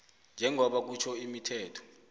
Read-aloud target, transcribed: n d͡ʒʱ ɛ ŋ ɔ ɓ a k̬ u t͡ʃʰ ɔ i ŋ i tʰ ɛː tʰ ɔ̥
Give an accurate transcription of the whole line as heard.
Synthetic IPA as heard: n d͡ʒʱ ɛ ŋ ɔ ɓ a k̬ u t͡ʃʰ ɔ i m i tʰ ɛː tʰ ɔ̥